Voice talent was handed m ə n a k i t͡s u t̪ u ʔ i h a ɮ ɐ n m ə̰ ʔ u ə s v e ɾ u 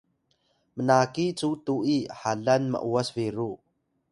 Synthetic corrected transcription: m ə n a k i t͡s u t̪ u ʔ i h a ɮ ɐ n m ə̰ ʔ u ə s v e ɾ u